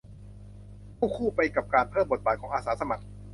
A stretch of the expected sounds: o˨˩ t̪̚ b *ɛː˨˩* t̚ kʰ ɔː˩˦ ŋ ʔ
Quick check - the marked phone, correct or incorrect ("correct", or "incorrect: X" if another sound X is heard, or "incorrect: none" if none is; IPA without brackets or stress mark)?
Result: incorrect: aː˨˩